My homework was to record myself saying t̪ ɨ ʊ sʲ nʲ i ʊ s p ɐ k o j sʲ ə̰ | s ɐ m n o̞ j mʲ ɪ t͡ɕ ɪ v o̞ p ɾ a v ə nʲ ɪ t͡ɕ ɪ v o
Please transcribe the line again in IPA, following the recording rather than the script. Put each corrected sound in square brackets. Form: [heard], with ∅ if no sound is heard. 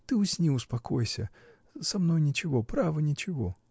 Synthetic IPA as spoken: t̪ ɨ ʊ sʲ nʲ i ʊ s p ɐ k o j sʲ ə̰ | s ɐ m n o̞ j [nʲ] ɪ t͡ɕ ɪ v o̞ p ɾ a v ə nʲ ɪ t͡ɕ ɪ v o